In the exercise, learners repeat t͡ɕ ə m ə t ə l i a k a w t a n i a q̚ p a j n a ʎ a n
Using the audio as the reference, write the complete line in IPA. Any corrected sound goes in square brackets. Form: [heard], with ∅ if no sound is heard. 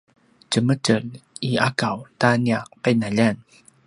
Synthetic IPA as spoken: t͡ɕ ə m ə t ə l i a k a w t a n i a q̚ p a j n a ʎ a n